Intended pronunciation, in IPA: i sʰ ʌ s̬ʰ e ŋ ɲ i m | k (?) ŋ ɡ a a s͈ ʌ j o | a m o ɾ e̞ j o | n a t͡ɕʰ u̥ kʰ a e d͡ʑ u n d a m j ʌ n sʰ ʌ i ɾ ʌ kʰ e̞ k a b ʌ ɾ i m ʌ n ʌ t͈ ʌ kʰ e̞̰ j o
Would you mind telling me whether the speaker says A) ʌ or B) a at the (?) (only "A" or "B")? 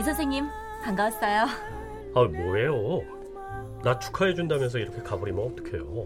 B